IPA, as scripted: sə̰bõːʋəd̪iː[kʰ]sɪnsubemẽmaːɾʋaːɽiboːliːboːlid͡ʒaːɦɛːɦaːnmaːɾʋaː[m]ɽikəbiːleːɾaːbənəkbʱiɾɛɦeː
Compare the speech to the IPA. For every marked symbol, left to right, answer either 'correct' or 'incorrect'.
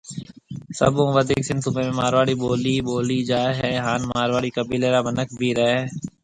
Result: incorrect: k, incorrect: none

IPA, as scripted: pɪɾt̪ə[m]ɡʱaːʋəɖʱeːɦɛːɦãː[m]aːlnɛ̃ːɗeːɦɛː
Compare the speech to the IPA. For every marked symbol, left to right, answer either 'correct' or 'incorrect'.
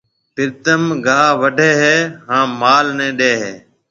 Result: correct, correct

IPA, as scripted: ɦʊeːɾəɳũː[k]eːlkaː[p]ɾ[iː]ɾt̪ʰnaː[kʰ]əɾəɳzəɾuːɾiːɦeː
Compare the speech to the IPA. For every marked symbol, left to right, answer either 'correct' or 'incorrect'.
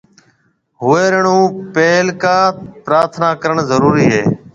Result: incorrect: p, correct, incorrect: aː, incorrect: k

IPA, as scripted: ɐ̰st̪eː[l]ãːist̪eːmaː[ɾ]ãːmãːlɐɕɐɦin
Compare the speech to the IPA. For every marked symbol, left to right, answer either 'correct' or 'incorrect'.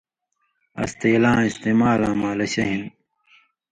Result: correct, incorrect: l

